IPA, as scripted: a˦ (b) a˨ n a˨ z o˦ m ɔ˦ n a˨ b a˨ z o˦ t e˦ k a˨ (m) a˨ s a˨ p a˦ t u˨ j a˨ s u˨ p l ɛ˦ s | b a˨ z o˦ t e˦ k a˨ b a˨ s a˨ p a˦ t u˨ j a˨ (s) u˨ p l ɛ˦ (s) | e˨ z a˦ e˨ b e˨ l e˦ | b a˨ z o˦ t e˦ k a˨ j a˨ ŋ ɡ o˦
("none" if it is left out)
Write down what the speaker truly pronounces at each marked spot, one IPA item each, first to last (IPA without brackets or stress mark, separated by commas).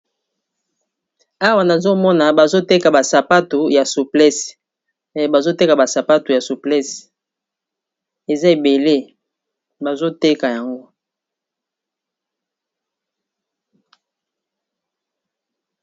w, b, s, s